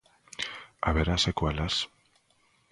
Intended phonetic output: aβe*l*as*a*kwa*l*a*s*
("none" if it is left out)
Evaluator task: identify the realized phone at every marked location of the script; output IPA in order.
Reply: ɾ, e, l, s

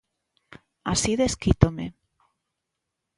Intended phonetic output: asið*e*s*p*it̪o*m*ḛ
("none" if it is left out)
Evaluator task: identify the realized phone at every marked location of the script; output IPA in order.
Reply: e, k, m

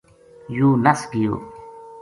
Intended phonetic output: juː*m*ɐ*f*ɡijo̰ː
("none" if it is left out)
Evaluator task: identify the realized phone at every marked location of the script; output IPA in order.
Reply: n, s

